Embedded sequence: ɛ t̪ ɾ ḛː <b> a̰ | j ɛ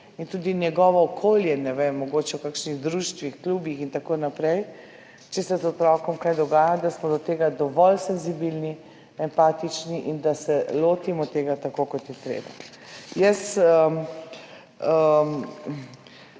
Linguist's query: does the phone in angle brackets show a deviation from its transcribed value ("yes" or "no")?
no